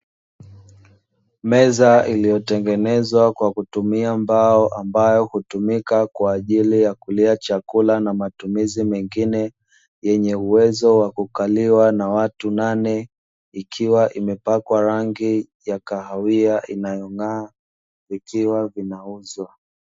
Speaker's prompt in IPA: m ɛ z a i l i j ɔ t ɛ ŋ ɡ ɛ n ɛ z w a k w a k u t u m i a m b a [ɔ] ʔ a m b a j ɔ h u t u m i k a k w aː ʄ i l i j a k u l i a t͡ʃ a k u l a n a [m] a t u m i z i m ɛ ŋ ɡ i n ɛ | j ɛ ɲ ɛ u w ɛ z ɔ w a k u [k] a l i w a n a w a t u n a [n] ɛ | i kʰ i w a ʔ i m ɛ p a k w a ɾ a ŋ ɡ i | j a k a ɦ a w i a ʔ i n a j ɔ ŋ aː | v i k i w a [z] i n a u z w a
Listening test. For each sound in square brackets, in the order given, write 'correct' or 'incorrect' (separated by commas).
correct, correct, correct, correct, incorrect